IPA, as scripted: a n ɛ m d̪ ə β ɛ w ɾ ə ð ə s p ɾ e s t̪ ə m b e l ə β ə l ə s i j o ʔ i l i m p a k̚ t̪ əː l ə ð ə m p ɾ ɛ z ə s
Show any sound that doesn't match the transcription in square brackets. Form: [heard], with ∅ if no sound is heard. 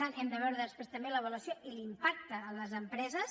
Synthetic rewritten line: a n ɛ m d̪ ə β ɛ w ɾ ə ð ə s p ɾ e s t̪ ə m b e l ə β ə l ə s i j o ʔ i l i m p a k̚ t̪ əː l ə [z] ə m p ɾ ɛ z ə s